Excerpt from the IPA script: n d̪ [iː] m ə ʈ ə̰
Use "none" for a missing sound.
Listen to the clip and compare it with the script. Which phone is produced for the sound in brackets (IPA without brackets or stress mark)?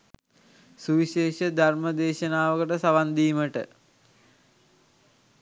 iː